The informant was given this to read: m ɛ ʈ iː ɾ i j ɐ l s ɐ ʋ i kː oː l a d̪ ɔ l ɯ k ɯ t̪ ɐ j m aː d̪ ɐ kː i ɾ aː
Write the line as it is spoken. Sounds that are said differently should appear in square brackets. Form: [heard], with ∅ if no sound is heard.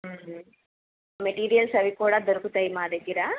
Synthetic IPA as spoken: m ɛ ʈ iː ɾ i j ɐ l s ɐ ʋ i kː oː [ɽ] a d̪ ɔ [ɾ] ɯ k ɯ t̪ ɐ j m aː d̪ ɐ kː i ɾ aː